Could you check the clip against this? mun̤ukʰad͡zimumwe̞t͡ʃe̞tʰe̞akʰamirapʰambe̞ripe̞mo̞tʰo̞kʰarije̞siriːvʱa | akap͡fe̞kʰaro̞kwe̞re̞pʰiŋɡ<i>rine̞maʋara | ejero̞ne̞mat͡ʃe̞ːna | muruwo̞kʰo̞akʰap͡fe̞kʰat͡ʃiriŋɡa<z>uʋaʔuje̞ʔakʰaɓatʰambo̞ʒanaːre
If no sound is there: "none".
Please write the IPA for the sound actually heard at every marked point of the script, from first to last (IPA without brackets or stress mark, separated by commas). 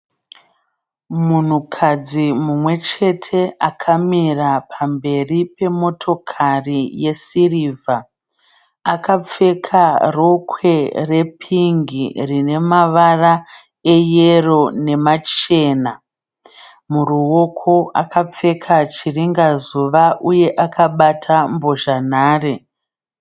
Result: i, z